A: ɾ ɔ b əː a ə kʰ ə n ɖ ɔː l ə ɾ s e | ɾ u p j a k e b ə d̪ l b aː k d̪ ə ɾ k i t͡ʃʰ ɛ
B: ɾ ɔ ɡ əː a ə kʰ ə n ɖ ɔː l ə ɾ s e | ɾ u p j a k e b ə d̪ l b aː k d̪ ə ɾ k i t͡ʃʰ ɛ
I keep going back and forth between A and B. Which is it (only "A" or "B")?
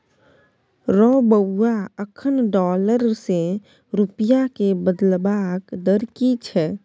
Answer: A